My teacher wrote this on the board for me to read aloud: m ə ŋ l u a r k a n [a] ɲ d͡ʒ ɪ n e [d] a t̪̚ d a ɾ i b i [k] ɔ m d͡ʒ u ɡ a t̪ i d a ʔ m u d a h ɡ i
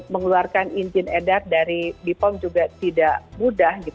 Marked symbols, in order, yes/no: no, yes, no

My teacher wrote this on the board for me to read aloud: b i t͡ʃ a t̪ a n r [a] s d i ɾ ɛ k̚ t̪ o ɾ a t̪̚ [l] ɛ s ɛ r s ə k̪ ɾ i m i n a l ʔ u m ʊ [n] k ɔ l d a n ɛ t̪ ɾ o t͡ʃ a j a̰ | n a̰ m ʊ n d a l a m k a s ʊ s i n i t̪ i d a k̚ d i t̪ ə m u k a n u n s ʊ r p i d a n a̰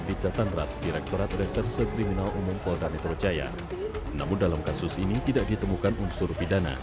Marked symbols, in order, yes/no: yes, no, no

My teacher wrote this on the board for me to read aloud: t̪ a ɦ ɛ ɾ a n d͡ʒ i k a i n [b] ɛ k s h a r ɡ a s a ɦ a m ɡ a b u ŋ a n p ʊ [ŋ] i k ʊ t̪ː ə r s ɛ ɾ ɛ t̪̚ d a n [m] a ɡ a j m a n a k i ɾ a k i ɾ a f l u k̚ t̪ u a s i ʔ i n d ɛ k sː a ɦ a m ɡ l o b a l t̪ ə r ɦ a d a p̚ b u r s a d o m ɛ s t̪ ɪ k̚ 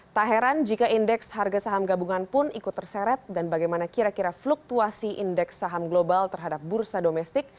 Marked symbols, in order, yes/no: no, no, no

